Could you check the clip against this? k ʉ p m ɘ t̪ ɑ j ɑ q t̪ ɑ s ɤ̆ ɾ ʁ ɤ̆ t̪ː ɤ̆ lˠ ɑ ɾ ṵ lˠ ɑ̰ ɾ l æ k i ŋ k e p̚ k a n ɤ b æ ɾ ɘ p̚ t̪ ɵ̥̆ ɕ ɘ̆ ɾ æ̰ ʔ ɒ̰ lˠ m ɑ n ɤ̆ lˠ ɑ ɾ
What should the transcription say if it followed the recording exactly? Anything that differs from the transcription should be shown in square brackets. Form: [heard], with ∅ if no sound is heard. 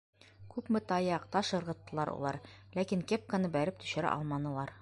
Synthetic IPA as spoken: k ʉ p m ɘ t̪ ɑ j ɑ q t̪ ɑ [ʃ] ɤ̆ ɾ ʁ ɤ̆ t̪ː ɤ̆ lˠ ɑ ɾ ṵ lˠ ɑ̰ ɾ l æ k i ŋ k e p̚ k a n ɤ b æ ɾ ɘ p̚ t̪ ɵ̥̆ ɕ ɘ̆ ɾ æ̰ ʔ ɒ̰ lˠ m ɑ n ɤ̆ lˠ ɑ ɾ